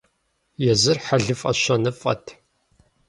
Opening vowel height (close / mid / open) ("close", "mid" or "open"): mid